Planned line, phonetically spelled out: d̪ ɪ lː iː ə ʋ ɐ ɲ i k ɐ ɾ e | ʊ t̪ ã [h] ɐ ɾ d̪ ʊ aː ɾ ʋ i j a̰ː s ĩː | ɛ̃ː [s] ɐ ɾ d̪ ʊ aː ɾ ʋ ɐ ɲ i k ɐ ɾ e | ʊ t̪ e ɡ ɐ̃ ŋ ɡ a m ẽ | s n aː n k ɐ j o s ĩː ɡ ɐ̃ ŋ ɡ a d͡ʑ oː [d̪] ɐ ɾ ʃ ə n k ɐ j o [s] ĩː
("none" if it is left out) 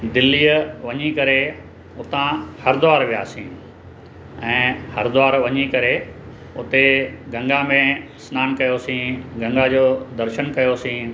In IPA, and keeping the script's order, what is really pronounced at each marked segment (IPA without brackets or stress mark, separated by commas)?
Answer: h, h, d̪, s